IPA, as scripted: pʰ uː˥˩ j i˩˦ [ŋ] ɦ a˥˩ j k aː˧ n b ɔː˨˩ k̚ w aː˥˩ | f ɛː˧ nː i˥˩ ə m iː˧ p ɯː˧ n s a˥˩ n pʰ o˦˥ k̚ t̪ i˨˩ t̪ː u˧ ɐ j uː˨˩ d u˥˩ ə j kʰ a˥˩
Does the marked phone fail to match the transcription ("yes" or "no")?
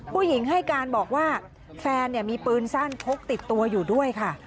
no